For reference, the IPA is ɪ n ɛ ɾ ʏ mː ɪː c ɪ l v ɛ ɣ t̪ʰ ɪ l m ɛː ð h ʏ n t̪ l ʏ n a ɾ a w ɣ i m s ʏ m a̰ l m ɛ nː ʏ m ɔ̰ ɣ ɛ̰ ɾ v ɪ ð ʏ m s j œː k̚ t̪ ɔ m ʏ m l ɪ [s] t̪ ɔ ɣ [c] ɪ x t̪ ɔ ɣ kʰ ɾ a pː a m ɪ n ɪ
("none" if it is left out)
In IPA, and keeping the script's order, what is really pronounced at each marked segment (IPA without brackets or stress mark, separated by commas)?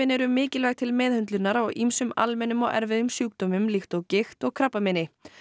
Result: x, c